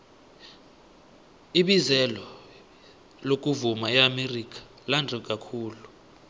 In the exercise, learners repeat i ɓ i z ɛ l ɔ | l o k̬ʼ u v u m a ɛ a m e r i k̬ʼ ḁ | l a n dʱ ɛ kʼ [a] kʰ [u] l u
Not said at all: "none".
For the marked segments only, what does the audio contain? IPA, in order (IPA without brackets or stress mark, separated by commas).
a, uː